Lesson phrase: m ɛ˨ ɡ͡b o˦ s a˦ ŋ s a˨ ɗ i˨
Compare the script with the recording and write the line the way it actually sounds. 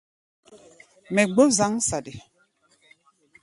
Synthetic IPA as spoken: m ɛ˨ ɡ͡b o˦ z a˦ ŋ s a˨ d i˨